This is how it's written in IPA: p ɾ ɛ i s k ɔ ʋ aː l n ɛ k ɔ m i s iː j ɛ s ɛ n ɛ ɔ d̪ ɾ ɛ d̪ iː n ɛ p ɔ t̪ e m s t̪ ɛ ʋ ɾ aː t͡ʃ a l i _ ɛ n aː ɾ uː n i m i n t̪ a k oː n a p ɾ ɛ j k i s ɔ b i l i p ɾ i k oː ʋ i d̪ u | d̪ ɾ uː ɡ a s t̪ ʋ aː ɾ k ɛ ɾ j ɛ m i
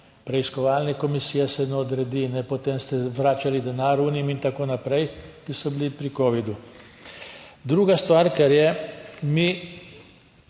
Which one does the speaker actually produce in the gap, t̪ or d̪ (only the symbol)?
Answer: d̪